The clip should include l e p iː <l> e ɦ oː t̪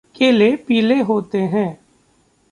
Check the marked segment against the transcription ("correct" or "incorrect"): correct